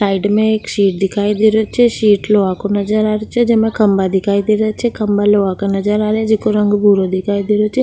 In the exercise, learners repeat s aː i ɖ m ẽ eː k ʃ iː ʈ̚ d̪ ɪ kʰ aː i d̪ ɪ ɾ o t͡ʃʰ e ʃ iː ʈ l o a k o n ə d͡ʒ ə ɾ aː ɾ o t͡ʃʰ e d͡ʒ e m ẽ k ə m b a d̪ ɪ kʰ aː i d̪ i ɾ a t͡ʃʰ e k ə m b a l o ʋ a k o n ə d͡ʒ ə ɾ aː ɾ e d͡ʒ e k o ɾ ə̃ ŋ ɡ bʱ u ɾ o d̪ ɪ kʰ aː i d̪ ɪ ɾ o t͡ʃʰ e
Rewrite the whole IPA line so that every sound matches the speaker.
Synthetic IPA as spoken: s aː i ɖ m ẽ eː k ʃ iː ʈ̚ d̪ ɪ kʰ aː i d̪ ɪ ɾ o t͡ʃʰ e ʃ iː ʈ l o a k o n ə d͡ʒ ə ɾ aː ɾ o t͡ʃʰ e d͡ʒ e m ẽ k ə m b a d̪ ɪ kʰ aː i d̪ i ɾ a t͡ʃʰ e k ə m b a l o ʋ a k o n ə d͡ʒ ə ɾ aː ɾ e d͡ʒ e k o ɾ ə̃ ŋ ɡ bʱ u ɾ o d̪ ɪ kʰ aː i d̪ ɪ ɾ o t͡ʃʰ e